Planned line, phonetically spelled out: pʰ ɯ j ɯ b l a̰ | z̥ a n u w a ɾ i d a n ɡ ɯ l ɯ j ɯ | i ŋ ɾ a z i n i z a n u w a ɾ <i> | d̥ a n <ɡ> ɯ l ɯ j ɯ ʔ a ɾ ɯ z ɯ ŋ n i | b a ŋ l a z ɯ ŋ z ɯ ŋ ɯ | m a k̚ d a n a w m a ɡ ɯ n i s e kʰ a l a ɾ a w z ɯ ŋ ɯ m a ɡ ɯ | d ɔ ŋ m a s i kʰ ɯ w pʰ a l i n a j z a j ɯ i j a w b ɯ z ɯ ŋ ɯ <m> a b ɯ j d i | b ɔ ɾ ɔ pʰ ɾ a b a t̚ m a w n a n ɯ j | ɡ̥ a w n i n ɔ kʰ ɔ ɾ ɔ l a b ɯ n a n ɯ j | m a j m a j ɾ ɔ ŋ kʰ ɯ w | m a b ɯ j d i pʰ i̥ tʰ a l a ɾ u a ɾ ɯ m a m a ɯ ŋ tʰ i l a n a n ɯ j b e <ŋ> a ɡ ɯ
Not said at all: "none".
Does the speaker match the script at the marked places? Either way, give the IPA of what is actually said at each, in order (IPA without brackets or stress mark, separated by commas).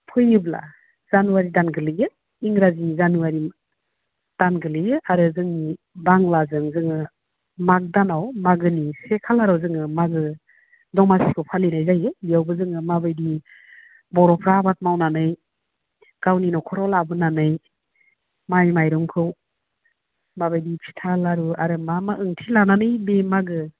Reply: i, ɡ, m, m